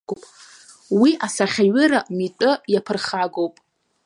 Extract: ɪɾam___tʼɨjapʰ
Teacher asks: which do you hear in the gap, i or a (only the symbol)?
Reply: i